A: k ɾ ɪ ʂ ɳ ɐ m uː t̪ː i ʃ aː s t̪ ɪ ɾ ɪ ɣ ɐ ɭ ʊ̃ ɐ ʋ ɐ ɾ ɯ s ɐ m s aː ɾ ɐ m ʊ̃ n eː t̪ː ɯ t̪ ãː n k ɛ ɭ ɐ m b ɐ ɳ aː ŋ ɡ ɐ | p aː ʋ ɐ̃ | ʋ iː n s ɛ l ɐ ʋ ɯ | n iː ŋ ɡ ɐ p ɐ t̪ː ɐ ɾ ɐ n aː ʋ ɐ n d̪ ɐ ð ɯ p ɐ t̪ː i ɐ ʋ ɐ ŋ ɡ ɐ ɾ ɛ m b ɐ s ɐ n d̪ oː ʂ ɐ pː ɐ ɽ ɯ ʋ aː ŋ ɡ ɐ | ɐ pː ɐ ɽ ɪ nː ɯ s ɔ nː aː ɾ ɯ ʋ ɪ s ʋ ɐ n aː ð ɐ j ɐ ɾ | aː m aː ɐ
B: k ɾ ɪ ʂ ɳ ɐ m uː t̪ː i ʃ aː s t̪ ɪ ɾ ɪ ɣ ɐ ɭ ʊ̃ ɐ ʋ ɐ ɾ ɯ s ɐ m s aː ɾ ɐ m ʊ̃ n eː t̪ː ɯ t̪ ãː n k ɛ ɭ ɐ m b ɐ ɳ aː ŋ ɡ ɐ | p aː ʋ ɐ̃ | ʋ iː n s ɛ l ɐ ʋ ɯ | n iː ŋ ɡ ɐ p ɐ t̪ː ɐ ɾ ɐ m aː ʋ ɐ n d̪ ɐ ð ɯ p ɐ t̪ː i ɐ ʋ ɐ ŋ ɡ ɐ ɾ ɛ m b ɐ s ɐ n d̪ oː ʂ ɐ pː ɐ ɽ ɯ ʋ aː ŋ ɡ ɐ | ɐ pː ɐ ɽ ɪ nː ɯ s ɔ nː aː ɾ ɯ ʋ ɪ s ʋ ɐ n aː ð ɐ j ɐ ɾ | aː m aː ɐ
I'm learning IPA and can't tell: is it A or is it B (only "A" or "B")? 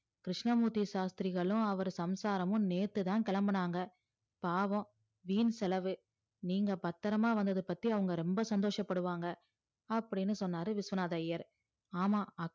B